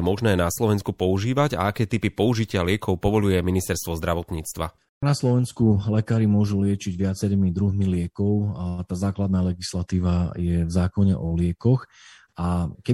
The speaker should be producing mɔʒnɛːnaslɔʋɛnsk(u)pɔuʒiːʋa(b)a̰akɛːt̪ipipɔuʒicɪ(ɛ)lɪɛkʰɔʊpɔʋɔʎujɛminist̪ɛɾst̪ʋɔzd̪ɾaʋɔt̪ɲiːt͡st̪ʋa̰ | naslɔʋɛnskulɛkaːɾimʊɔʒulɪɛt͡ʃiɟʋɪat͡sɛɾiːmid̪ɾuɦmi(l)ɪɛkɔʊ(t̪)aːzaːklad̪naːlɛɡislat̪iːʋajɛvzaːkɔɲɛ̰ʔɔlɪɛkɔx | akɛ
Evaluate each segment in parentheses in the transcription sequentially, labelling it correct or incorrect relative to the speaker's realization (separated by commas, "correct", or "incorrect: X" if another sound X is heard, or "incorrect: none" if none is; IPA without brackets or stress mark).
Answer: correct, incorrect: ɟ, incorrect: a, correct, correct